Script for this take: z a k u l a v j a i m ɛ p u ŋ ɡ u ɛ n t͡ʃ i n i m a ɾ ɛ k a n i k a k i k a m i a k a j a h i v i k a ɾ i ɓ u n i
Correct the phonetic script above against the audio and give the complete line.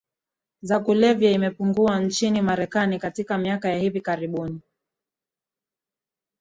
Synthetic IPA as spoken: z a k u l ɛ v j a i m ɛ p u ŋ ɡ u a n t͡ʃ i n i m a ɾ ɛ k a n i k a t i k a m i a k a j a h i v i k a ɾ i ɓ u n i